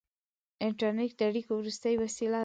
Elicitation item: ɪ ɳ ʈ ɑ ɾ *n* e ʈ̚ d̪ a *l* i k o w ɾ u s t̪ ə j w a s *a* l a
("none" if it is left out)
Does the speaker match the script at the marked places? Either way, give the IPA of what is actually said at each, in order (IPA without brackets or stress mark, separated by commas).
n, ɽ, i